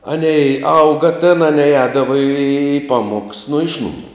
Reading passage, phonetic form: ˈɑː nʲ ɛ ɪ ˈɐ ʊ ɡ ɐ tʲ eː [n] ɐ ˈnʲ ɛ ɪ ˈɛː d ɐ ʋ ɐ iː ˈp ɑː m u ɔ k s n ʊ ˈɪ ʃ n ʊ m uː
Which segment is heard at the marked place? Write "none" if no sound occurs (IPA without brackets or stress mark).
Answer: n